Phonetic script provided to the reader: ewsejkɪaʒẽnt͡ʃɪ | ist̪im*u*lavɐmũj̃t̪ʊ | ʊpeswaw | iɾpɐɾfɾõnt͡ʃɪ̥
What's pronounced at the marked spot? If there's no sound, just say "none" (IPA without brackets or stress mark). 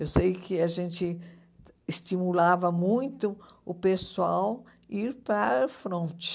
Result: u